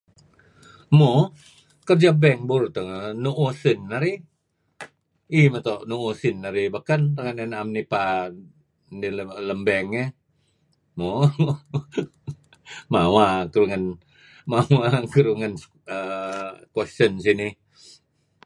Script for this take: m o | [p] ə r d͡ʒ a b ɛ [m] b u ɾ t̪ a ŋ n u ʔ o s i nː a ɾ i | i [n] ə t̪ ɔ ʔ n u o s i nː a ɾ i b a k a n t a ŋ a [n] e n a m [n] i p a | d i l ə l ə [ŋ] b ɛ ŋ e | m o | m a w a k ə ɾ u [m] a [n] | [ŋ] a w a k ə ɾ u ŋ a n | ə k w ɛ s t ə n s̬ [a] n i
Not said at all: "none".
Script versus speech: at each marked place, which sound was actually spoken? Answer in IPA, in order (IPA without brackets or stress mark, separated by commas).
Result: k, ŋ, m, n, n, m, ŋ, n, m, i